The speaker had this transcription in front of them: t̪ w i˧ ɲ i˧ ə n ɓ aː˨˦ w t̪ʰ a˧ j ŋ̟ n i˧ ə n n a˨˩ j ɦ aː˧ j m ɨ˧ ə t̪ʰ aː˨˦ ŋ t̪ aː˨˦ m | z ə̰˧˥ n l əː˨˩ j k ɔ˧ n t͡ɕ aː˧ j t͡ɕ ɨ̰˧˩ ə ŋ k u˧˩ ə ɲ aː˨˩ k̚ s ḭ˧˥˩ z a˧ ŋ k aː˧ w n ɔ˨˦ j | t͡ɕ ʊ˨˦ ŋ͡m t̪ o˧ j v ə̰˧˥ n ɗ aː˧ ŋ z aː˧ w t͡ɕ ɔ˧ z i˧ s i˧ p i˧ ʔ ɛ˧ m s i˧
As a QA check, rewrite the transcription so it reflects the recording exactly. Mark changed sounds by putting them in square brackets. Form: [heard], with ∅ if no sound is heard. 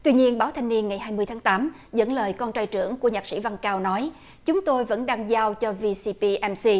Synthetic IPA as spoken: t̪ w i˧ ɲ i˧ ə n ɓ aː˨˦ w t̪ʰ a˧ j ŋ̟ n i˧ ə n [ŋ] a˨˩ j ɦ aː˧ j m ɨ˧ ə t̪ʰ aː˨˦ ŋ t̪ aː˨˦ m | z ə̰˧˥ n l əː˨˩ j k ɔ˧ n t͡ɕ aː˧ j t͡ɕ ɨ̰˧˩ ə ŋ k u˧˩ ə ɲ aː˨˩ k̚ s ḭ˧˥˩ [v] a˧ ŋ k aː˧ w n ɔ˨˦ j | t͡ɕ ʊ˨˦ ŋ͡m t̪ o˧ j v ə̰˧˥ n ɗ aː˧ ŋ z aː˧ w t͡ɕ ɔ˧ [v] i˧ s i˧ p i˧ ʔ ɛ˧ m s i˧

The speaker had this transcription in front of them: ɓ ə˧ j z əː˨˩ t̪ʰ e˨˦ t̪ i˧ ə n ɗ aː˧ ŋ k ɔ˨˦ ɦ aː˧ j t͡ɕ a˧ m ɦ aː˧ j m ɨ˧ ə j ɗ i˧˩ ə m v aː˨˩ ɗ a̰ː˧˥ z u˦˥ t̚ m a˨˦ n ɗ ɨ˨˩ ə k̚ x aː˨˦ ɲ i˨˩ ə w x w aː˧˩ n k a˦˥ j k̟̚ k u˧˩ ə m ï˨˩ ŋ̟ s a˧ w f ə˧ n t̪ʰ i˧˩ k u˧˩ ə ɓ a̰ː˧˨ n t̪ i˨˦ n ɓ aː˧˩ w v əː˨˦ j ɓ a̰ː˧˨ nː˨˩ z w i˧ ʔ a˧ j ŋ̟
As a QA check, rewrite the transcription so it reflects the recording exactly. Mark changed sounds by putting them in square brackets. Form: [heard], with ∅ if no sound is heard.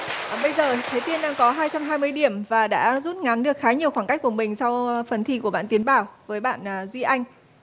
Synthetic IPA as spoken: ɓ ə˧ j z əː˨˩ t̪ʰ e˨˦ t̪ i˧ ə n ɗ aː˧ ŋ k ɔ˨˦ ɦ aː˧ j t͡ɕ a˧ m ɦ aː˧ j m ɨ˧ ə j ɗ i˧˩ ə m v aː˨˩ ɗ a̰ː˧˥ z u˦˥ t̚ [ŋ] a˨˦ n ɗ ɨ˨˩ ə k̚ x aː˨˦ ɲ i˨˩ ə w x w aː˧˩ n k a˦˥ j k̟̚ k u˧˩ ə m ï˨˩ ŋ̟ s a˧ w f [ə˨˩] n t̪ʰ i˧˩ k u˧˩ ə ɓ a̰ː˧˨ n t̪ i˨˦ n ɓ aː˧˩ w v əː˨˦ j ɓ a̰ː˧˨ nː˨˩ z w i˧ ʔ a˧ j ŋ̟

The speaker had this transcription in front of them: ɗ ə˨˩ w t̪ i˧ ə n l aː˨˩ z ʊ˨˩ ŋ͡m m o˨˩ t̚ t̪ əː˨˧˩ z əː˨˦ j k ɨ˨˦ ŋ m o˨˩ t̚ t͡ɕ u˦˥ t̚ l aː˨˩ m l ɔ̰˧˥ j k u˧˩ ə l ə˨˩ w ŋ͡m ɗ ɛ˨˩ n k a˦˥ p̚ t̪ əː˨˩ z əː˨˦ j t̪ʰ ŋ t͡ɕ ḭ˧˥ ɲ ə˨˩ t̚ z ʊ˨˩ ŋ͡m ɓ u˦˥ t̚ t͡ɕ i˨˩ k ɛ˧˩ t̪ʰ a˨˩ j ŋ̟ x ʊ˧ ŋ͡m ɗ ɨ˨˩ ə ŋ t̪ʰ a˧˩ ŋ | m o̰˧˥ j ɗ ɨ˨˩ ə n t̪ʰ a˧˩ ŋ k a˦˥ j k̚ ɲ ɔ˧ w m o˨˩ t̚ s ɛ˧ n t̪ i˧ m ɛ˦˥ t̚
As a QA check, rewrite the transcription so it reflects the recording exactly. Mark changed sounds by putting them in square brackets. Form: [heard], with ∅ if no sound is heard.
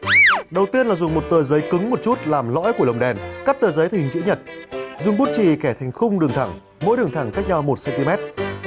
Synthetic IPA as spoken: ɗ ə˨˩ w t̪ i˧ ə n l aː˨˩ z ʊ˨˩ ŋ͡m m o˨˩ t̚ t̪ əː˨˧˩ z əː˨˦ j k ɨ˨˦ ŋ m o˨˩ t̚ t͡ɕ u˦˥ t̚ l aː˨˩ m l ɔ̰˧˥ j k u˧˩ ə l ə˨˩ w ŋ͡m ɗ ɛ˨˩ n k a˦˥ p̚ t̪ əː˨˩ z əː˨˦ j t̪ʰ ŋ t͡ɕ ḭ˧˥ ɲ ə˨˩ t̚ z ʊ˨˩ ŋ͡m ɓ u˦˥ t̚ t͡ɕ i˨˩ k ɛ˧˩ t̪ʰ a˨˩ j ŋ̟ x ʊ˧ ŋ͡m ɗ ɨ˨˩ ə ŋ t̪ʰ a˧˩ ŋ | m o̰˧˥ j ɗ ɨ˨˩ ə [ŋ] t̪ʰ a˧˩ ŋ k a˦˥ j k̚ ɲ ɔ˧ w m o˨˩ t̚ s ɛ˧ n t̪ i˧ m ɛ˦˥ t̚

